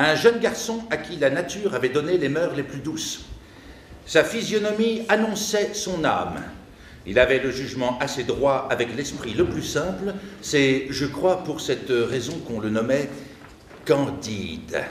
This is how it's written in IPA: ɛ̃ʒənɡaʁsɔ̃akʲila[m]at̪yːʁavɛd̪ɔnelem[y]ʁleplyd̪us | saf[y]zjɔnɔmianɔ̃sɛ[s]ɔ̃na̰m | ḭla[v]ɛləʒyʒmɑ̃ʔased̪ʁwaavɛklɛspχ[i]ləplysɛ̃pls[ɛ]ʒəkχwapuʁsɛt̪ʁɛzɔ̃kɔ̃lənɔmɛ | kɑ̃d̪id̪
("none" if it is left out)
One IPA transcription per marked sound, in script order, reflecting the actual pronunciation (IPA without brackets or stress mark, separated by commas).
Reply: n, œ, i, s, v, i, ɛ